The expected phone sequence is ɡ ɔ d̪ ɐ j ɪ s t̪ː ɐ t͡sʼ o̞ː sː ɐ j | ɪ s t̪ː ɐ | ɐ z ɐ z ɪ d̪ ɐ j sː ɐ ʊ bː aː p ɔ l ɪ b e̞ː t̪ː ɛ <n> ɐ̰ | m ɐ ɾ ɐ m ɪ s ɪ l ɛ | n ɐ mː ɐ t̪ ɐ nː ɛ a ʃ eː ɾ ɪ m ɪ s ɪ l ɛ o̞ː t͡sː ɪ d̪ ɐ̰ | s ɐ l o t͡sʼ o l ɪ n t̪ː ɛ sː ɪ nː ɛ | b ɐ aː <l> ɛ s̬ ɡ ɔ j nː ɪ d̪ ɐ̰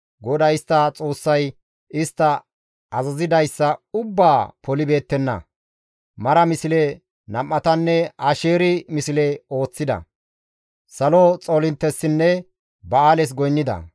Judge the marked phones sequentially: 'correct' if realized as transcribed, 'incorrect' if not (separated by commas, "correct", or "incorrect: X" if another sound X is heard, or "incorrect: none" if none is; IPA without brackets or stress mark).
incorrect: nː, correct